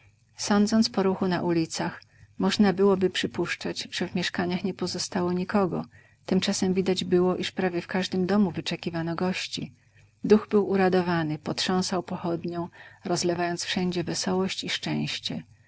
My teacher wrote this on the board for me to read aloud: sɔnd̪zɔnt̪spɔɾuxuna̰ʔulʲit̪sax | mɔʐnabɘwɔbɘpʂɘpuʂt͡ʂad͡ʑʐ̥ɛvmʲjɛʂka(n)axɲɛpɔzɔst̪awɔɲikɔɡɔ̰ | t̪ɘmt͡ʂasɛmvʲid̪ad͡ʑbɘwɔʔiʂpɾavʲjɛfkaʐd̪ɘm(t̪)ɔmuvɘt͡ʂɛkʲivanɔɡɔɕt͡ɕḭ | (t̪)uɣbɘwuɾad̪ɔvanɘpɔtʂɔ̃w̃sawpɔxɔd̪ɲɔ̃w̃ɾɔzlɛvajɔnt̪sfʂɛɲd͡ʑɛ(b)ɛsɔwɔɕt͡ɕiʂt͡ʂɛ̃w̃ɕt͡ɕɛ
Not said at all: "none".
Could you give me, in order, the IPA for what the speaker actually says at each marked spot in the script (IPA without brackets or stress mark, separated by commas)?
ɲ, d̪, d̪, v